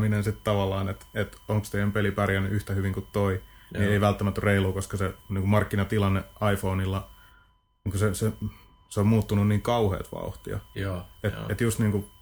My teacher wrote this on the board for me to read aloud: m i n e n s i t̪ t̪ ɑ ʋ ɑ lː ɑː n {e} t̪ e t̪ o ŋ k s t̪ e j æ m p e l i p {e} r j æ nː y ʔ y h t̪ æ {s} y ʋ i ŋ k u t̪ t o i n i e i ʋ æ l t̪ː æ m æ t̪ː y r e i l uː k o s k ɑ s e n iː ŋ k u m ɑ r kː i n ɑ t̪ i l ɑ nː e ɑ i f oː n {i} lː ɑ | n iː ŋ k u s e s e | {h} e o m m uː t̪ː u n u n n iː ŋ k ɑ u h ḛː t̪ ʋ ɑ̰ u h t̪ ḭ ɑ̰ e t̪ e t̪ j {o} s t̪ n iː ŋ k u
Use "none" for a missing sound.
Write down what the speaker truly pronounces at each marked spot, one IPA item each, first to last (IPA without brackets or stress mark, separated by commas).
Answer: e, æ, h, i, s, u